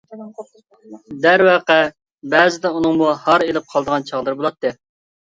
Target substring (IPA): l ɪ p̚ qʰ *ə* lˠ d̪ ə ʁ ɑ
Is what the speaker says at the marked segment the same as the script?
no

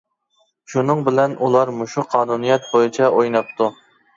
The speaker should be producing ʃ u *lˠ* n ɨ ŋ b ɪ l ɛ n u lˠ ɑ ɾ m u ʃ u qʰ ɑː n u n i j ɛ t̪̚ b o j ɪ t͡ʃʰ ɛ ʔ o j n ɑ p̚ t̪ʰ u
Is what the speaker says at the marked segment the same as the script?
no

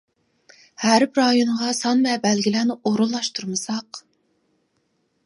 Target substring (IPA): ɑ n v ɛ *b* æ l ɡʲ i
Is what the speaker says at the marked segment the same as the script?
yes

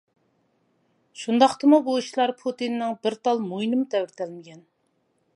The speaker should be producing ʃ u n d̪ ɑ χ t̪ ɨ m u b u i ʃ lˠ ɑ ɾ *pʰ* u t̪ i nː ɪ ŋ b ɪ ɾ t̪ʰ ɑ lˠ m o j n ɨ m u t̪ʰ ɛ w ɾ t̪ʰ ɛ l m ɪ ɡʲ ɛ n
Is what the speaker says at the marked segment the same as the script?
yes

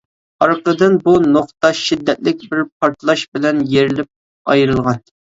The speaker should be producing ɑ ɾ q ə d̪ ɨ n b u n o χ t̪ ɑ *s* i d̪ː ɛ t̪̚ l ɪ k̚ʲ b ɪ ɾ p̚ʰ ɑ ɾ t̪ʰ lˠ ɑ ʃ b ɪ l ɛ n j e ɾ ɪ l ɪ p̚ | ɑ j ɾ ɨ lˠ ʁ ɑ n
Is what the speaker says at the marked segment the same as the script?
no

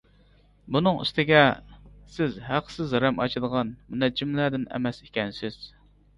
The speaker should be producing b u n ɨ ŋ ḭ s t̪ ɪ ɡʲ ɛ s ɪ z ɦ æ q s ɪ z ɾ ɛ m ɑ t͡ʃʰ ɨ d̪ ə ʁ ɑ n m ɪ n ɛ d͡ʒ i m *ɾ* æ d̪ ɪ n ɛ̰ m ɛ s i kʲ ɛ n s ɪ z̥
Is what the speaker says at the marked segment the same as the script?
no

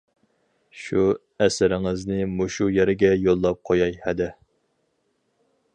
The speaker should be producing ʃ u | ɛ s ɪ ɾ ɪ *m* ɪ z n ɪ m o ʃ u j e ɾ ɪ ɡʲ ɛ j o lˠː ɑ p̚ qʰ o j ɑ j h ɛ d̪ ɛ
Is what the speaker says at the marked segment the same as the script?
no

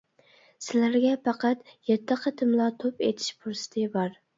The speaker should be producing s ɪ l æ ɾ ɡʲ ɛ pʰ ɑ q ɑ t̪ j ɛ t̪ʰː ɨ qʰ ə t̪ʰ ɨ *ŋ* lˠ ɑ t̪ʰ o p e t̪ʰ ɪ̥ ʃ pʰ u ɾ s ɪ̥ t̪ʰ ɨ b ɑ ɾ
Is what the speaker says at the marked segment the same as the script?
no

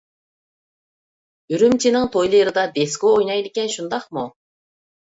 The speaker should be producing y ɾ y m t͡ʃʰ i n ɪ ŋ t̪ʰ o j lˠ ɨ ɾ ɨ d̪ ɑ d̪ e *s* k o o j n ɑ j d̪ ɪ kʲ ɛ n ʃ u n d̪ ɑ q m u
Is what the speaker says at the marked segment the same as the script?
yes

